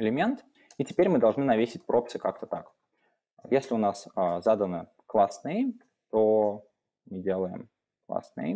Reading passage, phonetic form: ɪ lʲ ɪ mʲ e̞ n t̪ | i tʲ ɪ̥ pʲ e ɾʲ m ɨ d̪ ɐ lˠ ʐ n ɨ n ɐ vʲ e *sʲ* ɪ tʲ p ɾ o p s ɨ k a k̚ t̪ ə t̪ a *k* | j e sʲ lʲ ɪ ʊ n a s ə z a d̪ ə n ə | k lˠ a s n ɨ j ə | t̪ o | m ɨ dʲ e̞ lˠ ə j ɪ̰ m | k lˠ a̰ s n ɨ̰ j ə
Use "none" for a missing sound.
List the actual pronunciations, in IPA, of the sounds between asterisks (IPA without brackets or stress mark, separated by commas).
sʲ, k